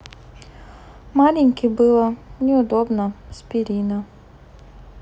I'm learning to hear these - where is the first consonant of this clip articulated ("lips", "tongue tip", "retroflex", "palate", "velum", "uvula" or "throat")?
lips